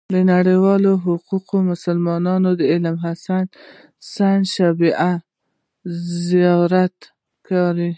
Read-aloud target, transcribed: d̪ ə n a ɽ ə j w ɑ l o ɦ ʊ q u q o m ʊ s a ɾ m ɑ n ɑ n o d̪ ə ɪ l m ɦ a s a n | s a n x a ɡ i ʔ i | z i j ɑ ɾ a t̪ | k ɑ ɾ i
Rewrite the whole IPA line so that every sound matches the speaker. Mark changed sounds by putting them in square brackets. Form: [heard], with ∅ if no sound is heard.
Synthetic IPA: d̪ ə n a ɽ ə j w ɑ l o ɦ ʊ q u q o m ʊ s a [l] m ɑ n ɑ n o d̪ ə ɪ l m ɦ a s a n | s a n [ʃ] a [b] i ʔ [a] | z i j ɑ ɾ a t̪ | k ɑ ɾ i